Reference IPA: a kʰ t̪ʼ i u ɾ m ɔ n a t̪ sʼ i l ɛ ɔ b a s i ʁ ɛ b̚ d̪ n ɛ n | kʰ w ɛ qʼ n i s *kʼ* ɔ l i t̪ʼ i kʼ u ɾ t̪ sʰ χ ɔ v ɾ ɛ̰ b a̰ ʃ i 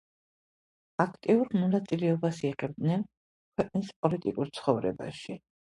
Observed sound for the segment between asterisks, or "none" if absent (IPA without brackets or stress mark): pʼ